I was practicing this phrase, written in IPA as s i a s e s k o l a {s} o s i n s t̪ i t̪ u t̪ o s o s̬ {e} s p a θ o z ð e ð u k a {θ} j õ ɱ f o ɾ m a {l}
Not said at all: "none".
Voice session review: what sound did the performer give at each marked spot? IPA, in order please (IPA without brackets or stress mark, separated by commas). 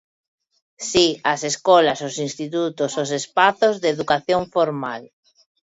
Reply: s, e, θ, l